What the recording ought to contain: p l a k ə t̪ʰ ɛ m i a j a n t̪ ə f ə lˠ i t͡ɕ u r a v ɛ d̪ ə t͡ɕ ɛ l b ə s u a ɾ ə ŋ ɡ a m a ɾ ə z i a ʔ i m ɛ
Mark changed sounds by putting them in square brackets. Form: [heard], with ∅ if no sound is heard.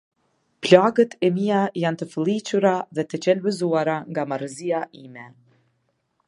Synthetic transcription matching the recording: p l a [ɡ] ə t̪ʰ ɛ m i a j a n t̪ ə f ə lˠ i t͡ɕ u [ɾ] a [ð] ɛ [t̪] ə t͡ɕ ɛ l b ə [z] u a ɾ [a] ŋ ɡ a m a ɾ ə z i a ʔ i m ɛ